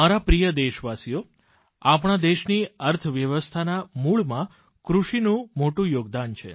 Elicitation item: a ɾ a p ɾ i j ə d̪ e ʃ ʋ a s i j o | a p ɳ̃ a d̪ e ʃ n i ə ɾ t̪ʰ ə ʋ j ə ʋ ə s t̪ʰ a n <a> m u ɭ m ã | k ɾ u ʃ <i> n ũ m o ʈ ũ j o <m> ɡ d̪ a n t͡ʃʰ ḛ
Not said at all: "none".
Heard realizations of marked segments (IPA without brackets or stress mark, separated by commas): a, i, none